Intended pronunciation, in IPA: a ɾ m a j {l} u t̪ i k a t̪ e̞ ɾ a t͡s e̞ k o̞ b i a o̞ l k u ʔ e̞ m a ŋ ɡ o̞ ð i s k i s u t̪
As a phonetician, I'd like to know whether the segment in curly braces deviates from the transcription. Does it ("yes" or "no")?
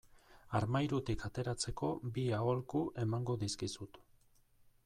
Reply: yes